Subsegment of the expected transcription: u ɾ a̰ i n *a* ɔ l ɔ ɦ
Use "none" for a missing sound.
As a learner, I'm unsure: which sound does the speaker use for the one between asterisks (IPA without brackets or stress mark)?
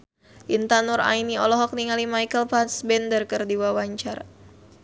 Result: i